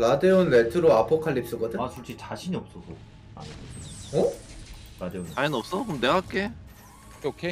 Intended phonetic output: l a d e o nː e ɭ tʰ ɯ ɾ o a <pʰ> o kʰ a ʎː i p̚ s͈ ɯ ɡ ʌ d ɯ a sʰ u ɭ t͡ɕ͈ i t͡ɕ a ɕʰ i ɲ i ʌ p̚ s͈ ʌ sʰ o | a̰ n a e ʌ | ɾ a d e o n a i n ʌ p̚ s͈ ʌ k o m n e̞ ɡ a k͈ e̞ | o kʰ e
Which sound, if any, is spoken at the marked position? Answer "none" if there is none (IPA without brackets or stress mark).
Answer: pʰ